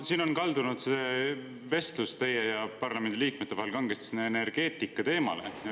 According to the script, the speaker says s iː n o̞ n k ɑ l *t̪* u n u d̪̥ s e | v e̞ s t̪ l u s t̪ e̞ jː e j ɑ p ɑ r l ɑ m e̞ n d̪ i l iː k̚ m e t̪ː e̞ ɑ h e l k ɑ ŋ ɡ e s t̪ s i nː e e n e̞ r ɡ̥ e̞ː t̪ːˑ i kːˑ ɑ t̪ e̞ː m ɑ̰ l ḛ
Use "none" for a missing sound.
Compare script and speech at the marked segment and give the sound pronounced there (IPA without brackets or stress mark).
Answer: d̪